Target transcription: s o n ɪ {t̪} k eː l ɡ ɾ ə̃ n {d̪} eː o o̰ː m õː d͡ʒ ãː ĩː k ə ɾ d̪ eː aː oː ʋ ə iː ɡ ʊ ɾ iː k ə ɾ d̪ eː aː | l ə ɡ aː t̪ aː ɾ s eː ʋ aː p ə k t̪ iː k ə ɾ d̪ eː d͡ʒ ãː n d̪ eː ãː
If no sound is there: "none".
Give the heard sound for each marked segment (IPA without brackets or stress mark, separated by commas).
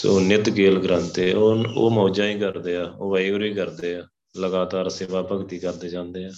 t̪, t̪